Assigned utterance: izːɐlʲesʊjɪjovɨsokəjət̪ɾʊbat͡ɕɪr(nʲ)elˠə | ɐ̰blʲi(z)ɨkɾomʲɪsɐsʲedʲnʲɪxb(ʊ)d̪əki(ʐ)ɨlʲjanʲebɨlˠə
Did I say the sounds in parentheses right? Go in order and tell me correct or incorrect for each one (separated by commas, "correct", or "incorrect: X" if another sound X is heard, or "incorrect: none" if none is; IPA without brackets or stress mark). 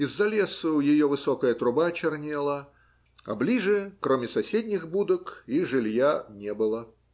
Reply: correct, incorrect: ʐ, incorrect: u, correct